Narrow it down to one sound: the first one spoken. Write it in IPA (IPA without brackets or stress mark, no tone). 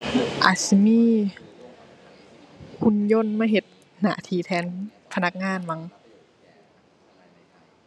ʔ